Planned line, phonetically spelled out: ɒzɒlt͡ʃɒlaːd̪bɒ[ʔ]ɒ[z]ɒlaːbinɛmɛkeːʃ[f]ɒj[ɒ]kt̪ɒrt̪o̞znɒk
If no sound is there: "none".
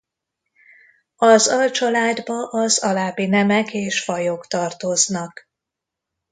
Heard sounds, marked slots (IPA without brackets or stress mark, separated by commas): ʔ, z, f, o